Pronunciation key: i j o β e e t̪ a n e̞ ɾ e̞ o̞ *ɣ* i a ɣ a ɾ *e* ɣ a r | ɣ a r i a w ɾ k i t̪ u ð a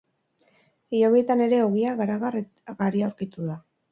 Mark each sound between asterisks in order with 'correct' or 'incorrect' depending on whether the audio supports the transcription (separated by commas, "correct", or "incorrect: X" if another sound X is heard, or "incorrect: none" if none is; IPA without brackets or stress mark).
correct, incorrect: a